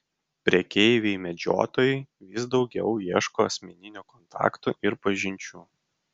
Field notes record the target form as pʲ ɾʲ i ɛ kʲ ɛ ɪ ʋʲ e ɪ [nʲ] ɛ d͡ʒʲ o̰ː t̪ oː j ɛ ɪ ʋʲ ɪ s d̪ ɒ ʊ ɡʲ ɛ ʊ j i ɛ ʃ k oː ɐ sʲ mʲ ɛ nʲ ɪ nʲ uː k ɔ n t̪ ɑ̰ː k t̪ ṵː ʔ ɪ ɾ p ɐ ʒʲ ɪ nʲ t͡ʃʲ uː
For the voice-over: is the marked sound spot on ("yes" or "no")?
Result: no